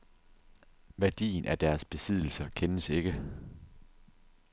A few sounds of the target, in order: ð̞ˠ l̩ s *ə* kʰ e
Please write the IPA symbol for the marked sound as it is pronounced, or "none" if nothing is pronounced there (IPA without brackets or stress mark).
ɐ